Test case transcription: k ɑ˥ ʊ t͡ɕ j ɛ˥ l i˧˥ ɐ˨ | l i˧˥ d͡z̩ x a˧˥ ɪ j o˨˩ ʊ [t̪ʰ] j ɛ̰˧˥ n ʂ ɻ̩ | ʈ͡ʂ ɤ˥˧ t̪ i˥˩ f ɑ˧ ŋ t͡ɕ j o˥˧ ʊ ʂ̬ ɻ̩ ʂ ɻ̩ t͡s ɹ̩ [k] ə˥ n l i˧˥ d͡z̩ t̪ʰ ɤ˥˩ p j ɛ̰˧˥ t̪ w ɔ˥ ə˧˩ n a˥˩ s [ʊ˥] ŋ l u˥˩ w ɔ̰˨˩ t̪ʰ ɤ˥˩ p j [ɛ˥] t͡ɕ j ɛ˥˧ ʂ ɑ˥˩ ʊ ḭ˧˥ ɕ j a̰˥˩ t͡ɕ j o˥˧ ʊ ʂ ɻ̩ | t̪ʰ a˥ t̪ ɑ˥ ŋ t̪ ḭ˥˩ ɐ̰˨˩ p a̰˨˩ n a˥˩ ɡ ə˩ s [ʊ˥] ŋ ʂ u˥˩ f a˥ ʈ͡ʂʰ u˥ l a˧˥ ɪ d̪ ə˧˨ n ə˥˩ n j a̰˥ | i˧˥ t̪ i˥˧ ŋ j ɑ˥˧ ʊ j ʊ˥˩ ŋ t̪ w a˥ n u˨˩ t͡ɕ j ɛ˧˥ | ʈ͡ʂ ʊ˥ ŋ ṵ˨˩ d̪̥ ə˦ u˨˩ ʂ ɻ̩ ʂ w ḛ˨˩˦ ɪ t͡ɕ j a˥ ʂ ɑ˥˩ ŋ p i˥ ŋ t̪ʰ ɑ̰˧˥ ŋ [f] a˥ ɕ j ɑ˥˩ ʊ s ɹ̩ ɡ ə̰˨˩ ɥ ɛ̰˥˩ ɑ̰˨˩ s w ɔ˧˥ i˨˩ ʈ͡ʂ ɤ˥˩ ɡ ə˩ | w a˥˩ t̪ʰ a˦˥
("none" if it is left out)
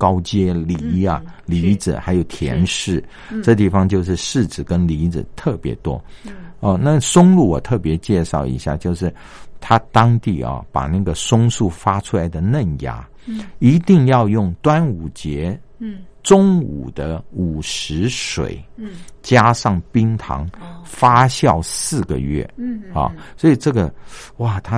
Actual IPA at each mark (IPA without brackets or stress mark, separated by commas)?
t̪ʰ, k, ʊ˥, ɛ˧˥, ʊ˥, f